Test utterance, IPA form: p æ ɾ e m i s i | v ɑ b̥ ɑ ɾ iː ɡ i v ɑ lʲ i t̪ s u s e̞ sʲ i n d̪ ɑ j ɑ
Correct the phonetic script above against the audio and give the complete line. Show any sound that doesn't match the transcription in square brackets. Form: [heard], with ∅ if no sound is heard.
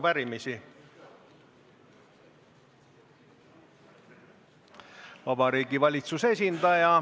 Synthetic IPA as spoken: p æ ɾ [i] m i s i | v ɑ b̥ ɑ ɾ iː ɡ i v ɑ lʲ i t̪ s u s e̞ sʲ i n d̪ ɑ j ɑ